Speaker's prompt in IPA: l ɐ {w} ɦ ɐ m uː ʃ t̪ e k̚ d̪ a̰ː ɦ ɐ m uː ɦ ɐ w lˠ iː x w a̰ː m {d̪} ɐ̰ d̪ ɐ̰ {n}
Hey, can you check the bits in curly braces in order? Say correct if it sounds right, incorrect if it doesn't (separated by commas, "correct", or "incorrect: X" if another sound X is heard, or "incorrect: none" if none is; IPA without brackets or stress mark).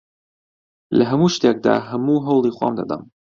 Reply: incorrect: none, correct, incorrect: m